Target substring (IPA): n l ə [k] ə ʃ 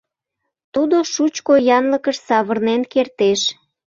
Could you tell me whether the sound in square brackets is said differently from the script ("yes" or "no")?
no